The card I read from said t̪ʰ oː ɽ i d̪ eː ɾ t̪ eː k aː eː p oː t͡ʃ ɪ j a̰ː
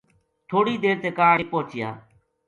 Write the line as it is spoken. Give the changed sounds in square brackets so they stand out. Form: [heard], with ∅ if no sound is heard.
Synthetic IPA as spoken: t̪ʰ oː ɽ [iː] d̪ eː ɾ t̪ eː k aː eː p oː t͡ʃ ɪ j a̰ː